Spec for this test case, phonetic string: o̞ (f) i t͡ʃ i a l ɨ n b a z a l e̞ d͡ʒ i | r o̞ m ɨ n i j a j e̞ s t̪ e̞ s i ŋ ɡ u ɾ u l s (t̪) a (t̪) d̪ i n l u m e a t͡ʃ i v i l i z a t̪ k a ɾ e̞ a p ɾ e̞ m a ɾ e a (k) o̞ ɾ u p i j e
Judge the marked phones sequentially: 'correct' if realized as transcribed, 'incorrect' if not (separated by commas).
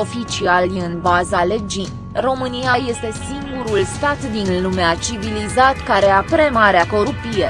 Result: correct, correct, correct, correct